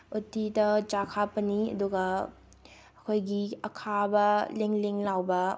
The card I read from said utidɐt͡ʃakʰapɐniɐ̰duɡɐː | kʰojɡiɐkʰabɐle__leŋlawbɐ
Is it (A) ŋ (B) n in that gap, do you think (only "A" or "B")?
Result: A